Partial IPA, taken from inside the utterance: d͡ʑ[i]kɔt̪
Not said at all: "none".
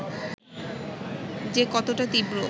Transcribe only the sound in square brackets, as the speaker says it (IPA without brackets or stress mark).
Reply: e